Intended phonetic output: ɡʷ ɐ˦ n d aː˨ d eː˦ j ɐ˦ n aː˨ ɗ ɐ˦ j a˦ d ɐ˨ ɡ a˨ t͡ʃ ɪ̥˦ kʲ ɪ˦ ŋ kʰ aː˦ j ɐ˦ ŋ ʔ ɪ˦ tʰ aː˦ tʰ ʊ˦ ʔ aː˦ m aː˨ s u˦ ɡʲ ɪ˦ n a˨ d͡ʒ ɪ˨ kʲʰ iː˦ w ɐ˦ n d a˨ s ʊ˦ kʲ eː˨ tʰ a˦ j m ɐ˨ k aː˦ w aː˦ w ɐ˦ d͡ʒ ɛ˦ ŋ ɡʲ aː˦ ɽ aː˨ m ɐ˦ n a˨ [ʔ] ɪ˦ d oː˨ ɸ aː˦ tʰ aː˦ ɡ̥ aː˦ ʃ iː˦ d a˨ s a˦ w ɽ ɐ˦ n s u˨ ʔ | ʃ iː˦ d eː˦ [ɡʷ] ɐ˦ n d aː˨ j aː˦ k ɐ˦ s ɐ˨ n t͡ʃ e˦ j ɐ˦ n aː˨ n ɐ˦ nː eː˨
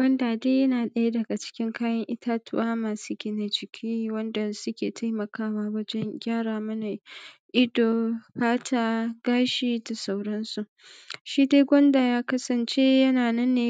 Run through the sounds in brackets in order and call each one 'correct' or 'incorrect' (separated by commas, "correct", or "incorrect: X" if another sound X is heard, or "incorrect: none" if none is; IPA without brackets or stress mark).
correct, correct